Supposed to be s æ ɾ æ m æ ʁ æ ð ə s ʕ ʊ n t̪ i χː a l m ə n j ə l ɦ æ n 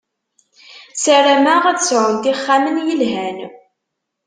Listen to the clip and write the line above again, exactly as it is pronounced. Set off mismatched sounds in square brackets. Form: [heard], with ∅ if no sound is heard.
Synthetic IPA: s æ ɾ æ m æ ʁ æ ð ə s ʕ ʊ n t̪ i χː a [∅] m ə n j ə l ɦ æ n